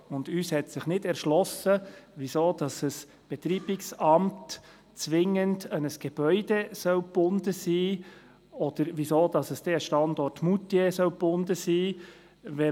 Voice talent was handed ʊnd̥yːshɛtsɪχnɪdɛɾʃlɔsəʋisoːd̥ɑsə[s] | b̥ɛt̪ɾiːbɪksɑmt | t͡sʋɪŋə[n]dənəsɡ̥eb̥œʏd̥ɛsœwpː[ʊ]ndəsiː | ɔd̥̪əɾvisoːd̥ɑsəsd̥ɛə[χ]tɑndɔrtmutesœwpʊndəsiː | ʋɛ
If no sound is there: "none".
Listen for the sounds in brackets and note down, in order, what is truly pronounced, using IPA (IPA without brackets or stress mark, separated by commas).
s, n, ʊ, ʃ